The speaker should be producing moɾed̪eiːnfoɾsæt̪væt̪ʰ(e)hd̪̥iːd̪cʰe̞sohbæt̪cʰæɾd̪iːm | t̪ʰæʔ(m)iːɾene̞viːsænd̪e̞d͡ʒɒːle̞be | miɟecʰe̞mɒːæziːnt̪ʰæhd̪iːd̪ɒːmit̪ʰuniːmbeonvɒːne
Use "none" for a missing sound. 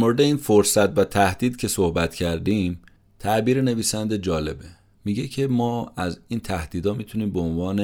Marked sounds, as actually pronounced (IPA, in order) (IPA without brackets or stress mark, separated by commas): æ, b